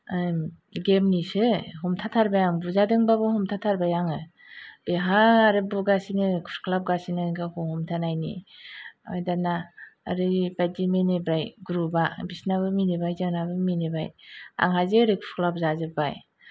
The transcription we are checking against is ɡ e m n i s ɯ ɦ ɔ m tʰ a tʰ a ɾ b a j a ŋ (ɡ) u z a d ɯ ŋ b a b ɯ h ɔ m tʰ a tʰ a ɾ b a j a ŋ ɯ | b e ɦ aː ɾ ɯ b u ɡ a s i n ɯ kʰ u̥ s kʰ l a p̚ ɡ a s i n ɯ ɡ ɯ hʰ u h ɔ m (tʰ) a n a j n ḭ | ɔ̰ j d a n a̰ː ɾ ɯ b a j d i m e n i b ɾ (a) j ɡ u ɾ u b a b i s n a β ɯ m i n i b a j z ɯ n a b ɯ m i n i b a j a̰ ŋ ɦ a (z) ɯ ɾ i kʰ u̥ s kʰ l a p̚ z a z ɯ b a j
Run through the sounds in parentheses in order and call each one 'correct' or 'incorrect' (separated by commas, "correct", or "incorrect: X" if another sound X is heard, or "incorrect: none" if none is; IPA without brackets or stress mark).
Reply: incorrect: b, correct, correct, correct